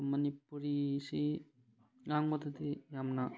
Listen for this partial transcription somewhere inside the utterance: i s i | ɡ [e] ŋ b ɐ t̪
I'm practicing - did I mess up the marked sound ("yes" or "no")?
yes